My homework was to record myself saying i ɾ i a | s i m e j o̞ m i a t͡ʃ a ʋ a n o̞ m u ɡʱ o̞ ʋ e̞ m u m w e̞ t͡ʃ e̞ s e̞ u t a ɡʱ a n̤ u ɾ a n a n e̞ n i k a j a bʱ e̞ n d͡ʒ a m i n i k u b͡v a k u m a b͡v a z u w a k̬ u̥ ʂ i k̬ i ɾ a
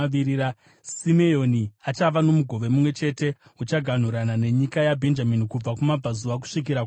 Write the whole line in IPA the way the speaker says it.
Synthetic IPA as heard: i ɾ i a | s i m e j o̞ n i a t͡ʃ a ʋ a n o̞ m u ɡʱ o̞ ʋ e̞ m u m w e̞ t͡ʃ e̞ t e̞ u t͡ʃ a ɡʱ a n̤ u ɾ a n a n e̞ ɲ i k a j a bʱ e̞ n d͡ʒ a m i n i k u b͡v a k u m a b͡v a z u ʋ a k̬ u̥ ʂ i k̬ i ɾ a